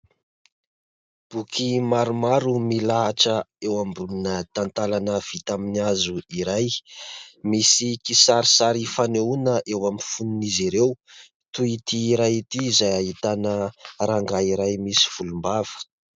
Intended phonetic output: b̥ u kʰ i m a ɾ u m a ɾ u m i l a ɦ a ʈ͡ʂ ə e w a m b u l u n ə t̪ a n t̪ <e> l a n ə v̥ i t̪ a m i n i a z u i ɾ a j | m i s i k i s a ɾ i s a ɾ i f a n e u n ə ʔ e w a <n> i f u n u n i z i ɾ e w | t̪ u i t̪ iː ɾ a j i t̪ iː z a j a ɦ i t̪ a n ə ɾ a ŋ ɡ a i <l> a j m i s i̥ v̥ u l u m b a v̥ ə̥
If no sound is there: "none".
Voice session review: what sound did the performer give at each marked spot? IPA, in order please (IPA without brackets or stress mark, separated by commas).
a, m, ɾ